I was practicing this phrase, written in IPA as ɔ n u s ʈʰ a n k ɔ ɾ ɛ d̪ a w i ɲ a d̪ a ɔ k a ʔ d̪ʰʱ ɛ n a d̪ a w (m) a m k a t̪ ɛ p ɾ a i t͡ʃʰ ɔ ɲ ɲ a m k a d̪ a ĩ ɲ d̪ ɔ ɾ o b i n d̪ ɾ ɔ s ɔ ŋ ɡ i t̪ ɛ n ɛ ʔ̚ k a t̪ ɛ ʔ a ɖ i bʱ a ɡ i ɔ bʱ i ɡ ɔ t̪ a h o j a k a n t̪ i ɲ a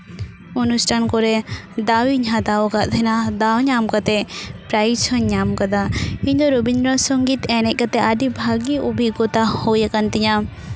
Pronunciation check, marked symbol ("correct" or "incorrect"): incorrect